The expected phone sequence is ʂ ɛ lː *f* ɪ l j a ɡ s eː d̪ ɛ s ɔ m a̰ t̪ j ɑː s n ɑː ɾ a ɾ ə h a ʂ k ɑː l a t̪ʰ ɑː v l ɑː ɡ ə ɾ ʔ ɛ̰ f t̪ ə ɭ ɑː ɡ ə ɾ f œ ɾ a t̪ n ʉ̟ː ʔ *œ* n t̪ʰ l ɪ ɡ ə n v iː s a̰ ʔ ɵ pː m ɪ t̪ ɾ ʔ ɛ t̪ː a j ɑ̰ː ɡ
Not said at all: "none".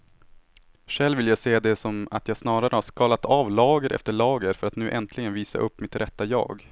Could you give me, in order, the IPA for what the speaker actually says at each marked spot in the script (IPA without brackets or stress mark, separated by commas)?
v, ɛ